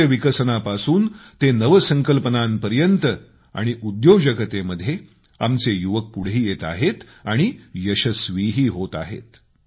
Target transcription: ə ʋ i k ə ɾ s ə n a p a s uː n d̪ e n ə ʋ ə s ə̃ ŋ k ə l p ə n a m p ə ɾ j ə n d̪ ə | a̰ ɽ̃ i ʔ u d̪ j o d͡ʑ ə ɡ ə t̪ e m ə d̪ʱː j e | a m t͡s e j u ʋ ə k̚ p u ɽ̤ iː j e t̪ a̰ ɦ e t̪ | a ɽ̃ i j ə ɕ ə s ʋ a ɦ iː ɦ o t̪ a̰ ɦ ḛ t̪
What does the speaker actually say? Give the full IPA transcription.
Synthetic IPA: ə ʋ i k ə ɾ s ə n a p a s uː n t̪ e n ə ʋ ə s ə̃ ŋ k ə l p ə n a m p ə ɾ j ə n t̪ ə | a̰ ɽ̃ i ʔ u d̪ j o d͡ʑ ə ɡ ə t̪ e m ə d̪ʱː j e | a m t͡s e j u ʋ ə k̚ p u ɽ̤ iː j e t̪ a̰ ɦ e t̪ | a ɽ̃ i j ə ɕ ə s ʋ i ɦ iː ɦ o t̪ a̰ ɦ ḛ t̪